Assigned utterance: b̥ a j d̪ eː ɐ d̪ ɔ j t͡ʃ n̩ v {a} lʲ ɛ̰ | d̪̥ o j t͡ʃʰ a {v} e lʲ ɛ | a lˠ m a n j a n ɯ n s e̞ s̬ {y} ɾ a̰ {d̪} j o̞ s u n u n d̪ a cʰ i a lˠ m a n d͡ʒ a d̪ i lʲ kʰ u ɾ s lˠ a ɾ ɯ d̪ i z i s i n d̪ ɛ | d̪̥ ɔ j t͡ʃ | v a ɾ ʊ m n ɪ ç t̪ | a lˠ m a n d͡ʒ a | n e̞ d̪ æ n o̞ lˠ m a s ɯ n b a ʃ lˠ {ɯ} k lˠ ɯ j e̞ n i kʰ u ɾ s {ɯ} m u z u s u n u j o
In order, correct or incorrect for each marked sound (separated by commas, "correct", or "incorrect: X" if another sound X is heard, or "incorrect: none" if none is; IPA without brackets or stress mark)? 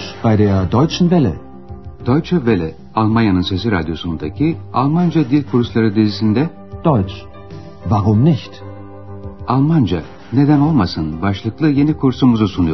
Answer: incorrect: ɛ, correct, incorrect: i, correct, correct, incorrect: u